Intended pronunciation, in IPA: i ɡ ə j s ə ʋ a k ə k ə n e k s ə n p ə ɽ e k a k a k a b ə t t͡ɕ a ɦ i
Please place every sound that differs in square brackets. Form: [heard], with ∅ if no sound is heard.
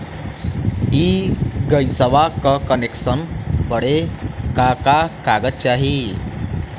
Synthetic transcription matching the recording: i ɡ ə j s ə ʋ a k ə k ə n e k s ə n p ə ɽ e k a k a k a [ɡ] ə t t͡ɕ a ɦ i